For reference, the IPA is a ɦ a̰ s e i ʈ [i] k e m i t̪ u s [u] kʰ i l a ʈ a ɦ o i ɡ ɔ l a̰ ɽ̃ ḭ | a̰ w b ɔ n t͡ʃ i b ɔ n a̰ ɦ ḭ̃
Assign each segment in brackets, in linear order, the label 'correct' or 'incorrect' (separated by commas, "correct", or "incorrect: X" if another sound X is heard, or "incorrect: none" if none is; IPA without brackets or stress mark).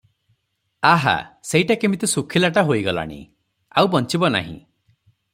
incorrect: a, correct